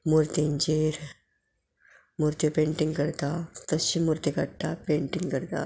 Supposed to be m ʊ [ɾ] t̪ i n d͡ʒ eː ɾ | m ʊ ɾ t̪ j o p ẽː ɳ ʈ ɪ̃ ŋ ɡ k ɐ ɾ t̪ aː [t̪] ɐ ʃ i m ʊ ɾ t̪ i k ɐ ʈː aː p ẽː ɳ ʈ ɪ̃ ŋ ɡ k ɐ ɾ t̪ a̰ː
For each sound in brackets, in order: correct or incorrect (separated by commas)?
correct, correct